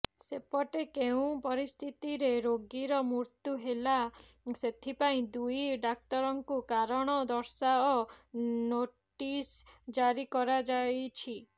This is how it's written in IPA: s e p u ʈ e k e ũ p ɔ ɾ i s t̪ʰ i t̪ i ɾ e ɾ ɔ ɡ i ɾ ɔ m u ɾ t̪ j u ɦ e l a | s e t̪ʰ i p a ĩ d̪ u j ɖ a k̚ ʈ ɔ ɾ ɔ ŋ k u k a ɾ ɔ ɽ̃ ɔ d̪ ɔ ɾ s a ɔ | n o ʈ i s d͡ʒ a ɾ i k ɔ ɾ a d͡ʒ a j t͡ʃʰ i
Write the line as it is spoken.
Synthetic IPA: s e p ɔ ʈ e k e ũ p ɔ ɾ i s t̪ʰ i t̪ i ɾ e ɾ o ɡ i ɾ ɔ m u ɾ t̪ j u ɦ e l a | s e t̪ʰ i p a ĩ d̪ u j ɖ a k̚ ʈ ɔ ɾ ɔ ŋ k u k a ɾ ɔ ɽ̃ ɔ d̪ ɔ ɾ s a ɔ | n o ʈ i s d͡ʒ a ɾ i k ɔ ɾ a d͡ʒ a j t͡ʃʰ i